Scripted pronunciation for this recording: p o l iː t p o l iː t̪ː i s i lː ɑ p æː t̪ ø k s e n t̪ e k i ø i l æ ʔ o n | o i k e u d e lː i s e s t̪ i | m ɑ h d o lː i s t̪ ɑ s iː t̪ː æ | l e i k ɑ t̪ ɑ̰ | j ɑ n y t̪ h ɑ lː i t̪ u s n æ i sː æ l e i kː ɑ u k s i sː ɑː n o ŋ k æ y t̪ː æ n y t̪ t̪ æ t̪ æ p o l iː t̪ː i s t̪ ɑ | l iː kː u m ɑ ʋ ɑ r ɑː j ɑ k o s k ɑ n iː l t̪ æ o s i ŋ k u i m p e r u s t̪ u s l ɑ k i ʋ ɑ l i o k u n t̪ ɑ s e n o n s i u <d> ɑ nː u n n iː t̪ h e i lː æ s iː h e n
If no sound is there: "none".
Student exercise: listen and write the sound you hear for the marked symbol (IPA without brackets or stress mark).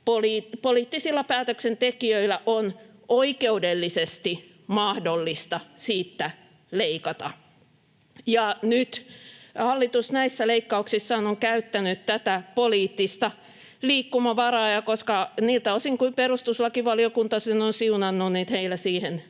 n